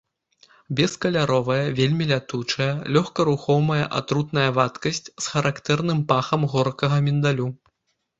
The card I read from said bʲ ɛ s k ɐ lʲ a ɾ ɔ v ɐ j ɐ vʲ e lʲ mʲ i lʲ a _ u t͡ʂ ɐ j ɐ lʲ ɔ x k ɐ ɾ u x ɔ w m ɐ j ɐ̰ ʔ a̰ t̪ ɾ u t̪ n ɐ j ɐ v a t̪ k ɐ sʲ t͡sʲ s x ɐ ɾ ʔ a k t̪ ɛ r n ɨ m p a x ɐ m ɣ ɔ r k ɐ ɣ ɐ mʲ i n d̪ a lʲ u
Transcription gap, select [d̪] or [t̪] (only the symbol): t̪